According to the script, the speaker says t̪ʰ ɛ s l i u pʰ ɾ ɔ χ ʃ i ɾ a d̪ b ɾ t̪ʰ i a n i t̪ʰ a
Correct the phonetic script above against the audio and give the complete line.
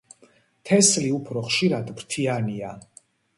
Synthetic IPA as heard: t̪ʰ ɛ s l i u pʰ ɾ ɔ χ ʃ i ɾ a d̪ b ɾ t̪ʰ i a n i a